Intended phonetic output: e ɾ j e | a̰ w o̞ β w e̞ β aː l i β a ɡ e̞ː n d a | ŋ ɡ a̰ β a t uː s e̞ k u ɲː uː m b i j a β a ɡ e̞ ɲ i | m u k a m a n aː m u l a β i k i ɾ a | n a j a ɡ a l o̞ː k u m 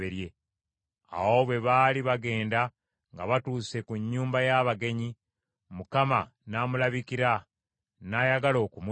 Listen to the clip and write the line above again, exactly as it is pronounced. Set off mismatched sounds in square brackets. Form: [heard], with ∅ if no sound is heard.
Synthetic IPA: e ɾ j e | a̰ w o̞ β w e̞ β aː l i β a ɡ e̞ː n d a | ŋ ɡ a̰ β a t uː s e̞ k u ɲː uː m b [a] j a β a ɡ e̞ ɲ i | m u k a m a n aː m u l a β i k i ɾ a | n a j a ɡ a l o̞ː k u m